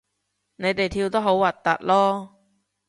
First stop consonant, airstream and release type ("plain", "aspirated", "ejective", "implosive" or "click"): plain